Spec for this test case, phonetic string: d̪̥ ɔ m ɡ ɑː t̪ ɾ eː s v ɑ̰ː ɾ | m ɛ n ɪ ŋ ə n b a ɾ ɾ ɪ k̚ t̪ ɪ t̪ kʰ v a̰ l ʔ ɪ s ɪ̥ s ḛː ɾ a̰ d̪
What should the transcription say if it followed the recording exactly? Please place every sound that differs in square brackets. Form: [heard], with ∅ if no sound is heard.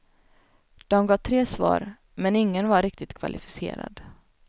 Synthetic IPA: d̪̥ ɔ m ɡ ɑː [t̪ʰ] ɾ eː s v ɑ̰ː ɾ | m ɛ n ɪ [ŋː] ə n [v] a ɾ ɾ ɪ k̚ t̪ ɪ t̪ kʰ v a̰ l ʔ ɪ [f] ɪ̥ s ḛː ɾ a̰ d̪